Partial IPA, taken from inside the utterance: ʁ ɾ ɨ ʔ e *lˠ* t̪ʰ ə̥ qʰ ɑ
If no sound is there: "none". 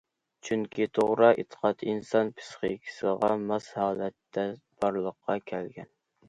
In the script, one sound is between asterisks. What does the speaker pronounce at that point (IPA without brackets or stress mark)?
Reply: none